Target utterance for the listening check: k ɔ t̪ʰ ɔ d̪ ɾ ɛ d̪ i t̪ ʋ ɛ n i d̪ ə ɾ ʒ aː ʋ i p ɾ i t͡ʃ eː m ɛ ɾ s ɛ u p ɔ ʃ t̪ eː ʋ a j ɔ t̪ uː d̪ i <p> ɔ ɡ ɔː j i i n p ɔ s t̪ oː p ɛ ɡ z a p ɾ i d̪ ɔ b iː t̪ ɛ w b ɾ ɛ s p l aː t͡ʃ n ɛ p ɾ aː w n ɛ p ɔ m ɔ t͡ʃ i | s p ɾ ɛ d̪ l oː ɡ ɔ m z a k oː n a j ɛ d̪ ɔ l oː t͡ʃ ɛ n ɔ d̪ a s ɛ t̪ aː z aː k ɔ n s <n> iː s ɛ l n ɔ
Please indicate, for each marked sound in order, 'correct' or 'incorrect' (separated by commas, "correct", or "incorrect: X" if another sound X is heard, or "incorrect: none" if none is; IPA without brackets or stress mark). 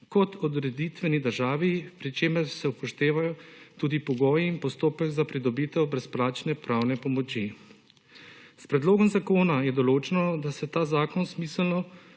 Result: correct, incorrect: m